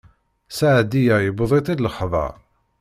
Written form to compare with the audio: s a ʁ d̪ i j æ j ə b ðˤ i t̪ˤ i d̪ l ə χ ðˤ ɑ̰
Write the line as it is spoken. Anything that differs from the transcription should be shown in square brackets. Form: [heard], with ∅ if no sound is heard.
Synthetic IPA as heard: s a [ʕ] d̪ i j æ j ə b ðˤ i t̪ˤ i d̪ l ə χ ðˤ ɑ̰